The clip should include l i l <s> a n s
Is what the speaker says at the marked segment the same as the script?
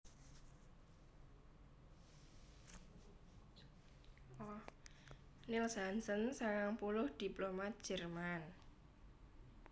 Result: yes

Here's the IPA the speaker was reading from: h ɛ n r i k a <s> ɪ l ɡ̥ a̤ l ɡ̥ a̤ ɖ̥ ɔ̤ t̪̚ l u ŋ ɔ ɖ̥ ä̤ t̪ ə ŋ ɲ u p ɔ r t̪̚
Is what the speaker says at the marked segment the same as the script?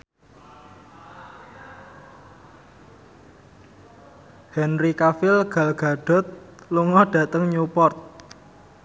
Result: no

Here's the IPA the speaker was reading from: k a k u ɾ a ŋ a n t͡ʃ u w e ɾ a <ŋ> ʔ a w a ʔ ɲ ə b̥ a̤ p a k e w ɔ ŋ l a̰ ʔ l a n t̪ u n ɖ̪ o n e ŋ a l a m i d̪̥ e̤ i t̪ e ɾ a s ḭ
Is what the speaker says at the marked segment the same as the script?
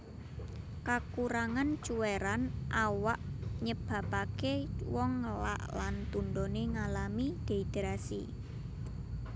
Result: no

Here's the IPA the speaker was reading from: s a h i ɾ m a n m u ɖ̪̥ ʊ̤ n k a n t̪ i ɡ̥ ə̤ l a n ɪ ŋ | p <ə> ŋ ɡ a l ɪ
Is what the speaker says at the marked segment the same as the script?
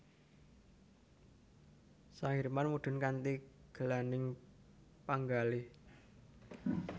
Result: no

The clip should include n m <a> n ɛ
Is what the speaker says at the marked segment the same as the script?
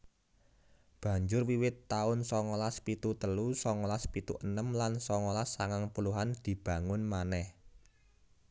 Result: yes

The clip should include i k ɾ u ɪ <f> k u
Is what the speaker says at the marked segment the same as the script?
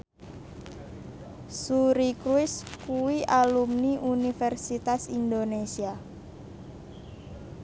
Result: no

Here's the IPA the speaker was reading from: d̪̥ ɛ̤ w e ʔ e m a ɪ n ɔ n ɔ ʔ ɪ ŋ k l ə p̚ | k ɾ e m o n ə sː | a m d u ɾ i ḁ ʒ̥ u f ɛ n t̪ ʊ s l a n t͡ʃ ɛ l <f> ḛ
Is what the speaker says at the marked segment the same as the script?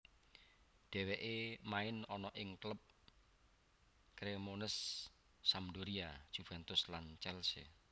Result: no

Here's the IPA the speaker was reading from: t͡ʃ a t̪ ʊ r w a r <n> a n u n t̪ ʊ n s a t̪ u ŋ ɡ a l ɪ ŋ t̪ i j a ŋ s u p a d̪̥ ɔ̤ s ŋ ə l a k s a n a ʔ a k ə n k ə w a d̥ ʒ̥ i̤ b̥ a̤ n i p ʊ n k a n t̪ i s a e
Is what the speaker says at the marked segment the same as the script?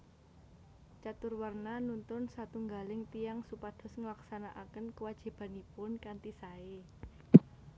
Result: yes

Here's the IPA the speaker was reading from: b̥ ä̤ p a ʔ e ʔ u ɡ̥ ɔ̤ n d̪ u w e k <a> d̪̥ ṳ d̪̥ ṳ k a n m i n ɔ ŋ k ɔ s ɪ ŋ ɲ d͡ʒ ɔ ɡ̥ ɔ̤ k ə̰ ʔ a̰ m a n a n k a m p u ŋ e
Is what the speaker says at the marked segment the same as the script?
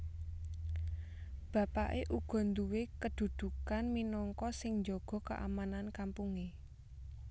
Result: no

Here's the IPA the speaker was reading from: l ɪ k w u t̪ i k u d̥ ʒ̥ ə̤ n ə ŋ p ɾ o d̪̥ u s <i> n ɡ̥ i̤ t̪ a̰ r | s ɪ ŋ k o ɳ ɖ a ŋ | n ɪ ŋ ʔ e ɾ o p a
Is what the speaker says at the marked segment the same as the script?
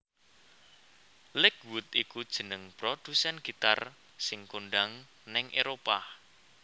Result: no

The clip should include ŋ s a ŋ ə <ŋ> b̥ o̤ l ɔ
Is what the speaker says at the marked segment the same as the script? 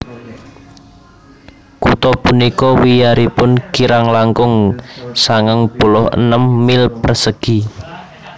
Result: yes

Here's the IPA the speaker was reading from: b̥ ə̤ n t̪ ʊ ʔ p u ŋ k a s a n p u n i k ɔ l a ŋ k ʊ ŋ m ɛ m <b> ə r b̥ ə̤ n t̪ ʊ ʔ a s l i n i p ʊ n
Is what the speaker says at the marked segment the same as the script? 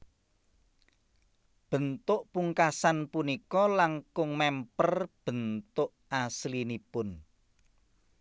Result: no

